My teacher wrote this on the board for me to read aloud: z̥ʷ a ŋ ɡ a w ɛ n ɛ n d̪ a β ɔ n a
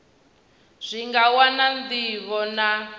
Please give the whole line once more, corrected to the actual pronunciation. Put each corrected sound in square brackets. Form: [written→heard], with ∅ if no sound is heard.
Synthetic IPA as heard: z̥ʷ [a→i] ŋ ɡ a w [ɛ→a] n [ɛ→a] n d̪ [a→i] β ɔ n a